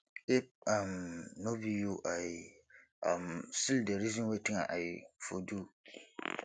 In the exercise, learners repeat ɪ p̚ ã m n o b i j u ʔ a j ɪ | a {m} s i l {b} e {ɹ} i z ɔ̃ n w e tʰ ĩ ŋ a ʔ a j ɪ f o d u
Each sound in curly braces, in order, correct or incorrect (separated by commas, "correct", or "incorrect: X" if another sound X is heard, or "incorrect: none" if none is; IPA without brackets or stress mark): correct, incorrect: d, incorrect: ɾ